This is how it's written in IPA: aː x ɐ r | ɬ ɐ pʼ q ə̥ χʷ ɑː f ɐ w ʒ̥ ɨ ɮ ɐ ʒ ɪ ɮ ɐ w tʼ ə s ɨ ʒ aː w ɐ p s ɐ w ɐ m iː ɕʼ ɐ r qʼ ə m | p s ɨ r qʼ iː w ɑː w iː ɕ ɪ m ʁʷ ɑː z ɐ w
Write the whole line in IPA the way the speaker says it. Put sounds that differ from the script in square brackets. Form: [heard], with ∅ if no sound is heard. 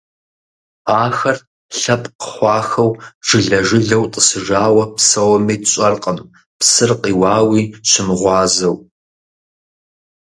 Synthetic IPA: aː x ɐ r | ɬ ɐ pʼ q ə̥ χʷ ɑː [x] ɐ w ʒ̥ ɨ ɮ ɐ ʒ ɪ ɮ ɐ w tʼ ə s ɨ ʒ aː w ɐ p s ɐ w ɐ m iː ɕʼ ɐ r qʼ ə m | p s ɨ r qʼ iː w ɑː w iː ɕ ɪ m ʁʷ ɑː z ɐ w